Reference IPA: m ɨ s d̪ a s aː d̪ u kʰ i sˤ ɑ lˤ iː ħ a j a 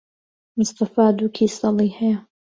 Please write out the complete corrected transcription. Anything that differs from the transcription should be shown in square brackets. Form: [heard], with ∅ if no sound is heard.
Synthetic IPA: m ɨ s [t̪] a [f] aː d̪ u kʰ i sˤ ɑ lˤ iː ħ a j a